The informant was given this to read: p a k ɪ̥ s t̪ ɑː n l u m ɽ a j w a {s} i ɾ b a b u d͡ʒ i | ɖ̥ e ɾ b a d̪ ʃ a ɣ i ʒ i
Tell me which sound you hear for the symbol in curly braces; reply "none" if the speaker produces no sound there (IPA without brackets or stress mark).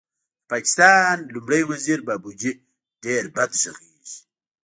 z